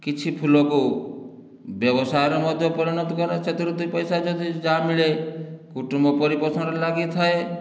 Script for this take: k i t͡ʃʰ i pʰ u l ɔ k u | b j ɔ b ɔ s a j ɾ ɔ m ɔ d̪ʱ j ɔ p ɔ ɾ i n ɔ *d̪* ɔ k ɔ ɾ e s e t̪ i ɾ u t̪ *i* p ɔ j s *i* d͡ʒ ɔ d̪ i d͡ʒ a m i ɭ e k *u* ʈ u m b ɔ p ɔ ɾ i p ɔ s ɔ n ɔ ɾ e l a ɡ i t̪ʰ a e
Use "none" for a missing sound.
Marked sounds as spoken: t̪, i, a, u

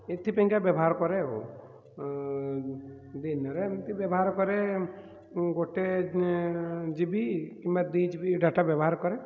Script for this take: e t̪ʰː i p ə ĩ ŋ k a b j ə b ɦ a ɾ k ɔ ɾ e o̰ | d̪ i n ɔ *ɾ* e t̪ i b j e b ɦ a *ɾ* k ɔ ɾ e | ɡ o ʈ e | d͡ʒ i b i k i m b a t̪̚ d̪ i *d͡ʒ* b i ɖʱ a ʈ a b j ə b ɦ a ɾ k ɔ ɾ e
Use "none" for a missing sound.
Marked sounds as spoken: ɾ, ɾ, d͡ʒ

